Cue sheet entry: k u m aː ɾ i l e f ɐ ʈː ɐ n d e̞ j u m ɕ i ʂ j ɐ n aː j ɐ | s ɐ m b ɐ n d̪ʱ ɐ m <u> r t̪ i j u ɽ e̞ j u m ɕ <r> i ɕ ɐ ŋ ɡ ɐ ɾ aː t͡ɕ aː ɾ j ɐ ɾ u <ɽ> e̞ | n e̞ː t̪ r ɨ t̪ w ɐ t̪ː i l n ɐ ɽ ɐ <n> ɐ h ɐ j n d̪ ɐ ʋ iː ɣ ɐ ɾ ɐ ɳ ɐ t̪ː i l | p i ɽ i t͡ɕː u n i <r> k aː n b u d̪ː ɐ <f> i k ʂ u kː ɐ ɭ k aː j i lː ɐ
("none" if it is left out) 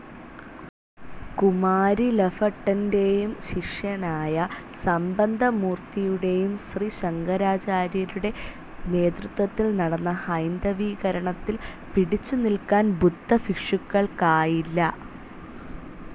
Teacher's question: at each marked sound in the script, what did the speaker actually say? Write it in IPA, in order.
uː, r, ɽ, nː, l, f

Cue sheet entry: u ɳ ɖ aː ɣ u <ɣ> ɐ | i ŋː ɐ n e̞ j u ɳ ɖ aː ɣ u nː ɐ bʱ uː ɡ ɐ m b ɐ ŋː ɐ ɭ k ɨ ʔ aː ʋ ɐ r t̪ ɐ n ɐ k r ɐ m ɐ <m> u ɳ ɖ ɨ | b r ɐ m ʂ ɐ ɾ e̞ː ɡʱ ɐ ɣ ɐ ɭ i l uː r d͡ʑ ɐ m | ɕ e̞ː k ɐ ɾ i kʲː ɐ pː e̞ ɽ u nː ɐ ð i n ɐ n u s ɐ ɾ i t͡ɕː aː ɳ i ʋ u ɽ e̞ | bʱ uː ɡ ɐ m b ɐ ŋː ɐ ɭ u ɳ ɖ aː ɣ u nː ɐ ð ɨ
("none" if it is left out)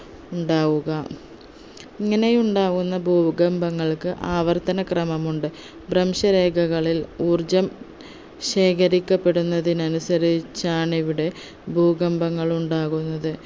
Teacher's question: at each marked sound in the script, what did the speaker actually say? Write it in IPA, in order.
ɣ, m

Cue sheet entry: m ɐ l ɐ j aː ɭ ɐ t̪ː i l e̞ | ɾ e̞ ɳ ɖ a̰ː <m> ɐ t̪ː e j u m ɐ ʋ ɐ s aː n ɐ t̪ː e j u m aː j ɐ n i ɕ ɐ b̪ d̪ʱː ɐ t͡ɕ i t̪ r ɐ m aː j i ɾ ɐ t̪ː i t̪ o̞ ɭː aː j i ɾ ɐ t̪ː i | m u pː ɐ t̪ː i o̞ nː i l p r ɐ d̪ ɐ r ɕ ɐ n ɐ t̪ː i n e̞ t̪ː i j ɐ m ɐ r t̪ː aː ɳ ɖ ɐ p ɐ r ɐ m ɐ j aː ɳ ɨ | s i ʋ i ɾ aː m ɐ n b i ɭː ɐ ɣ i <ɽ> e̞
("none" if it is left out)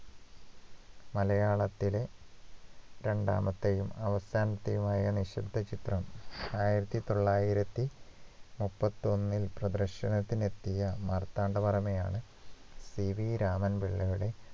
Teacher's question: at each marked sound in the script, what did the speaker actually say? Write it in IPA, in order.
m, ɽ

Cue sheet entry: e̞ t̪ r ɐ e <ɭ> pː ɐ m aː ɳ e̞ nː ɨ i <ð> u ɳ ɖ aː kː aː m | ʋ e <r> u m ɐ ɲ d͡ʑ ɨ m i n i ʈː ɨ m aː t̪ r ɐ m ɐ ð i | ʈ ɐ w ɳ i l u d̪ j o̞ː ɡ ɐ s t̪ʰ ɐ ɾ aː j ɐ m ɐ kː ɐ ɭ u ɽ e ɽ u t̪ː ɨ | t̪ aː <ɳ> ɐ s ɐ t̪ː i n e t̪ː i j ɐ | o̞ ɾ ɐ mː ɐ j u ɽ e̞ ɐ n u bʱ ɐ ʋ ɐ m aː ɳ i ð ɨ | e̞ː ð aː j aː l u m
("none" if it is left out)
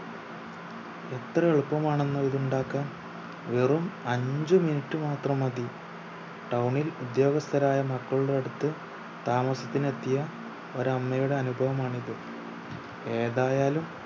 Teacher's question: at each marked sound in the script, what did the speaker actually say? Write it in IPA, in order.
ɭ, ð, r, m

